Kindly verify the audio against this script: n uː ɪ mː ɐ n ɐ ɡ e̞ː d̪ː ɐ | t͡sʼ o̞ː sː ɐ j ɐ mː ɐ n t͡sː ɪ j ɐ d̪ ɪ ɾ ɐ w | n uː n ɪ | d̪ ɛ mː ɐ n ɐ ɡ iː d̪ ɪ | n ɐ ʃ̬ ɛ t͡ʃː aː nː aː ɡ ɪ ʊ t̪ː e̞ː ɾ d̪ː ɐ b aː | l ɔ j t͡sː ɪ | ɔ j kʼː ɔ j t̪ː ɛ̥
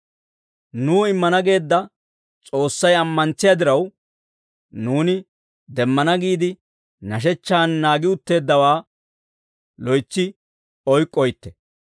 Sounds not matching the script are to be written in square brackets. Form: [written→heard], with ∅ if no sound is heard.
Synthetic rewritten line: n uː ɪ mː ɐ n ɐ ɡ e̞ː d̪ː ɐ | t͡sʼ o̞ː sː ɐ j ɐ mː ɐ n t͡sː ɪ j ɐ d̪ ɪ ɾ ɐ w | n uː n ɪ | d̪ ɛ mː ɐ n ɐ ɡ iː d̪ ɪ | n ɐ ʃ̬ ɛ t͡ʃː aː nː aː ɡ ɪ ʊ t̪ː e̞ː [ɾ→∅] d̪ː ɐ [b→w] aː | l ɔ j t͡sː ɪ | ɔ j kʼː ɔ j t̪ː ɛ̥